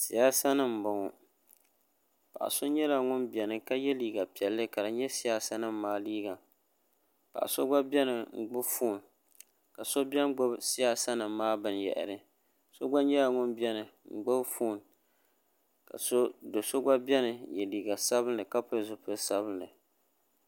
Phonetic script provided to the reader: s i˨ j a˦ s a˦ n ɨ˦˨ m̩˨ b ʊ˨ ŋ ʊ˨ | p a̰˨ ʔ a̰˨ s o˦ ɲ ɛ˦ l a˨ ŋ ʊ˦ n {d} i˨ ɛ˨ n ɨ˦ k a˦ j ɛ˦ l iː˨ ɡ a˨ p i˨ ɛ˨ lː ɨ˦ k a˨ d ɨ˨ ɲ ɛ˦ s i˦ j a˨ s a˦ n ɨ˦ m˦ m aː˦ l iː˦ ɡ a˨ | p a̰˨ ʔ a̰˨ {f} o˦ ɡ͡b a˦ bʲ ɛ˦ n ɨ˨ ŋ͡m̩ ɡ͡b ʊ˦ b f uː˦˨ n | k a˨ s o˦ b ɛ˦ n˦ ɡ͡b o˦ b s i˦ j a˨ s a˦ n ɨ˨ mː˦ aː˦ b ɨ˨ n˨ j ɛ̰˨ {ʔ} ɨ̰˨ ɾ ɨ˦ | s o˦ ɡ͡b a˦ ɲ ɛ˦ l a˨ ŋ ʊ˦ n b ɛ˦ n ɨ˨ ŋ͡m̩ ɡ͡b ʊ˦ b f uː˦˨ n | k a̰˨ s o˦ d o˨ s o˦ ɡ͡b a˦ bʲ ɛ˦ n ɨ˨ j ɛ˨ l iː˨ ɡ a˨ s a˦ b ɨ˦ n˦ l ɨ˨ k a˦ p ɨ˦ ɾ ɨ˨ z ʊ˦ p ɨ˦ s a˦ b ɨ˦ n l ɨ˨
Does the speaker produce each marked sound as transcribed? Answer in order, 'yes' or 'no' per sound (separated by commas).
no, no, yes